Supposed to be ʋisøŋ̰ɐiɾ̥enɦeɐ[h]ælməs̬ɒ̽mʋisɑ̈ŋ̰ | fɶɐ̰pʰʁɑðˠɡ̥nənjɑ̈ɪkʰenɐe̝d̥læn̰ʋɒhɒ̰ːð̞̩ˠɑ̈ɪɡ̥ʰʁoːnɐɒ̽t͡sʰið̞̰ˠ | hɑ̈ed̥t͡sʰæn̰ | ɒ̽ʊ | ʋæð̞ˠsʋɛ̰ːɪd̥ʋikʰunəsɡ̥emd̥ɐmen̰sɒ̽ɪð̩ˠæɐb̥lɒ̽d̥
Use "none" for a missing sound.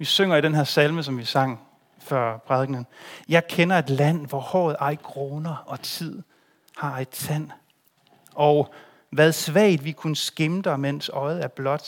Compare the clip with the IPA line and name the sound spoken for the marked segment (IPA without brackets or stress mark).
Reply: s